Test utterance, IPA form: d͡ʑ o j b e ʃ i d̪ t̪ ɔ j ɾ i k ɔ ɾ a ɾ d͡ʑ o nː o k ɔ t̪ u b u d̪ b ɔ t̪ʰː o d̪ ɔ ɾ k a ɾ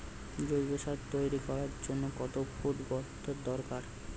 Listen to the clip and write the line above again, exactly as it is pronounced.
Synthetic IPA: d͡ʑ o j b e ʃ a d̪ t̪ o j ɾ i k ɔ ɾ a ɾ d͡ʑ o nː o k ɔ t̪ o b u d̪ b ɔ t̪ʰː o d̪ ɔ ɾ k a ɾ